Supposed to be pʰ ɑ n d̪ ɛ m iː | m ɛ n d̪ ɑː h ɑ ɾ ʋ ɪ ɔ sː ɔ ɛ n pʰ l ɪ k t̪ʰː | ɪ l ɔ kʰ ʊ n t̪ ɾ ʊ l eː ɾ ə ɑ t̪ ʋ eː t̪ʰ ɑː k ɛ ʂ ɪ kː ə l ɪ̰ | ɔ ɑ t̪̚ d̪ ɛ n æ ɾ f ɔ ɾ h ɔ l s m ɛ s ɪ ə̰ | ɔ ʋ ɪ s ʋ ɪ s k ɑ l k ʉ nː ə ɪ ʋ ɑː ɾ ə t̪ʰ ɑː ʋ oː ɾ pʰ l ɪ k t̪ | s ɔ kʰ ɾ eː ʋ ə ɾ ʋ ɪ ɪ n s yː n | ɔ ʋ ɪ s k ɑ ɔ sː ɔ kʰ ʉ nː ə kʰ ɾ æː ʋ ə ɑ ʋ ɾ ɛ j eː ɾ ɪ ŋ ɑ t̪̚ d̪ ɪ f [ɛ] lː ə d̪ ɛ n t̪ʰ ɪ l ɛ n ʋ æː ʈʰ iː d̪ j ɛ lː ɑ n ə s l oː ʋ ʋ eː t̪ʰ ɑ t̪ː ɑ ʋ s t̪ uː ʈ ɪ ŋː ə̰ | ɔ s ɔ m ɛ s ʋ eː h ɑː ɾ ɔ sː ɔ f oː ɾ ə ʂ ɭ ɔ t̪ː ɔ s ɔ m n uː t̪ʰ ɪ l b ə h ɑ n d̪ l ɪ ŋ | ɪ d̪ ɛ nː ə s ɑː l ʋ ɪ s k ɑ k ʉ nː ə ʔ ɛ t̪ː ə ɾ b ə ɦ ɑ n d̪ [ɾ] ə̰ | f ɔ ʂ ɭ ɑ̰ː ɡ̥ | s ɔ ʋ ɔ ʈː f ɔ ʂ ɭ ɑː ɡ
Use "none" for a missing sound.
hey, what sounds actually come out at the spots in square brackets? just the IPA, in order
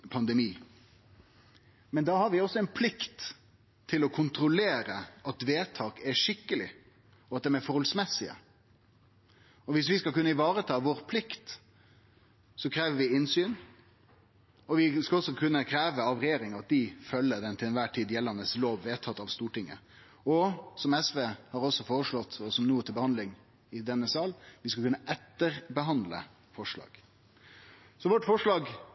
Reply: œ, l

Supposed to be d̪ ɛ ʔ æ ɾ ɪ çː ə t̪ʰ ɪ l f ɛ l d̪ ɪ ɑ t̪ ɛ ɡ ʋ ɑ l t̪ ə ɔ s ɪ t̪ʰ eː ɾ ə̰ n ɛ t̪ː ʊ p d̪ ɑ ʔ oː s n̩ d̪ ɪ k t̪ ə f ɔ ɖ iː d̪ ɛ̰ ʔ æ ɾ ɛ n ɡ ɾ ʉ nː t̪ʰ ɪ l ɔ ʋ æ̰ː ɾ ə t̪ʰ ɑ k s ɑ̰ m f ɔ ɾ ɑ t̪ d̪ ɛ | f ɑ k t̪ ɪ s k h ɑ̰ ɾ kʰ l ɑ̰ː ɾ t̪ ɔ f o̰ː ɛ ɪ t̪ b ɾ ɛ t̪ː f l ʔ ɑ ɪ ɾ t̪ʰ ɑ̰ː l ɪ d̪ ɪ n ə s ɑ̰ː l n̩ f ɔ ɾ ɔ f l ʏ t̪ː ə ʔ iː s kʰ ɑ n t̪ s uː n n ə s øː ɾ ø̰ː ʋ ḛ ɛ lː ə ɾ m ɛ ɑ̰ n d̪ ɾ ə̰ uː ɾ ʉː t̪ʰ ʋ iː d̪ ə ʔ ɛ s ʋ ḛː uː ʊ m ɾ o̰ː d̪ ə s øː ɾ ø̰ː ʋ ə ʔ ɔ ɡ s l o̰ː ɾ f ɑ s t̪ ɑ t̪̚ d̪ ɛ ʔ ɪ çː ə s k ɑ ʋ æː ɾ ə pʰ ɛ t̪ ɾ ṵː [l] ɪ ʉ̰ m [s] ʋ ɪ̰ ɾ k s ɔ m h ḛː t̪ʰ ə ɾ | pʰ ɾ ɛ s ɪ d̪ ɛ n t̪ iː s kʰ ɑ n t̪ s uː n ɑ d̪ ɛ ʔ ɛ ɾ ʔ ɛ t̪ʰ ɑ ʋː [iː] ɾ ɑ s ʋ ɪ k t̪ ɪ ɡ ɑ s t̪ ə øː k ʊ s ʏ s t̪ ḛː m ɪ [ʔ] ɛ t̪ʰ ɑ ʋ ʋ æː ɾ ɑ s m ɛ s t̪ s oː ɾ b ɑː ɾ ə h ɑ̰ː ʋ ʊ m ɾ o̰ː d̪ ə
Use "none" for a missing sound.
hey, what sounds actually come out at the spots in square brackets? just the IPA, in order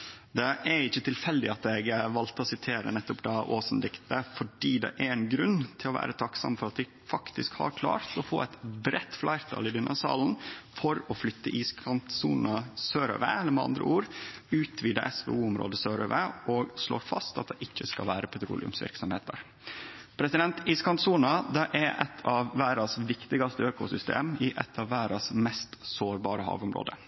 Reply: l, s, æː, ʔ

